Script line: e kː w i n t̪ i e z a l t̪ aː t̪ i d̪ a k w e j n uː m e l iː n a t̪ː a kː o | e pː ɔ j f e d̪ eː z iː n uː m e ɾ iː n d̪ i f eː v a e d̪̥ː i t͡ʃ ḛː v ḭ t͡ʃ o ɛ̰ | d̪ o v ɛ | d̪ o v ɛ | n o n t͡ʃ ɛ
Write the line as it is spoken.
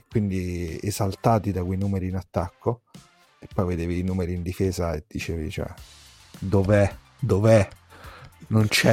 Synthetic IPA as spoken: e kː w i n d̪ i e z a l t̪ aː t̪ i d̪ a k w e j n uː m e ɾ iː n a t̪ː a kː o | e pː ɔ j v e d̪ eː v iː n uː m e ɾ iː n d̪ i f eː z a e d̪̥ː i t͡ʃ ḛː v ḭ t͡ʃ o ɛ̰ | d̪ o v ɛ | d̪ o v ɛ | n o n t͡ʃ ɛ